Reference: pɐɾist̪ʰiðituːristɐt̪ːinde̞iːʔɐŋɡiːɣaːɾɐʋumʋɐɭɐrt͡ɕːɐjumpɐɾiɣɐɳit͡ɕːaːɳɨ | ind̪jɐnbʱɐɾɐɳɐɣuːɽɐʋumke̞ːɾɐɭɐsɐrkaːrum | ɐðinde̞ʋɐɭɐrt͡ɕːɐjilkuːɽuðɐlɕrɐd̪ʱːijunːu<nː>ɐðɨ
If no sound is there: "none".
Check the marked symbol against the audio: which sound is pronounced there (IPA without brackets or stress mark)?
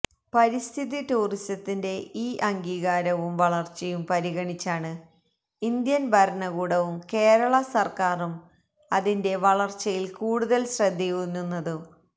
nː